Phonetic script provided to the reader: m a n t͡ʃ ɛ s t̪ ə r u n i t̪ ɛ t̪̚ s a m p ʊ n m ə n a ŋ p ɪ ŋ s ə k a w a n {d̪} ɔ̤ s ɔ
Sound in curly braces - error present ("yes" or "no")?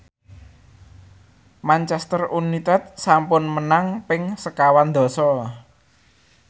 no